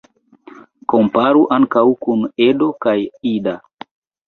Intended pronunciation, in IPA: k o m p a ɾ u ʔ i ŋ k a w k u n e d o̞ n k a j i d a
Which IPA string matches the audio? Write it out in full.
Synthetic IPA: k o m p a ɾ u ʔ a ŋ k a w k u n e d o̞ k a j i d a